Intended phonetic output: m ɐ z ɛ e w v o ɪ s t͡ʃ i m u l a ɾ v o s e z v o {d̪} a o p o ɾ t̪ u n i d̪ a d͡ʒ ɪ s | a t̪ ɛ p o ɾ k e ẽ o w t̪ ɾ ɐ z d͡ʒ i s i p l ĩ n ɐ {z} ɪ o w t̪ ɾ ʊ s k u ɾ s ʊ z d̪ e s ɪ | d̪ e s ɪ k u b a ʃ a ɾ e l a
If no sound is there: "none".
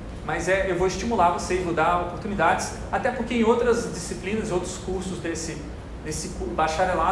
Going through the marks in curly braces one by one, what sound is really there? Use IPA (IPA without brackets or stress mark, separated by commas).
d̪, z